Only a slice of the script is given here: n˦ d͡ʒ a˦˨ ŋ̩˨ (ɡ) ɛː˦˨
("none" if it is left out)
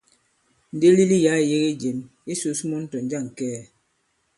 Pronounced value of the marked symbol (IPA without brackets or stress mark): k